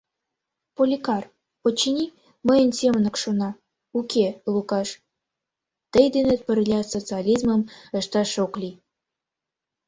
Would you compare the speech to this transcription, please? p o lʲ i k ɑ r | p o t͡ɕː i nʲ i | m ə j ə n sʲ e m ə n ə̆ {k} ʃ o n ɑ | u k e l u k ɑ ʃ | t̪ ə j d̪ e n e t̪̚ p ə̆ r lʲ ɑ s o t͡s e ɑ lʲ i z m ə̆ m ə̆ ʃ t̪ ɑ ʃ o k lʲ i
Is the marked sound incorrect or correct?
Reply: correct